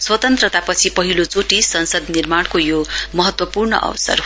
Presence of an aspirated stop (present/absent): present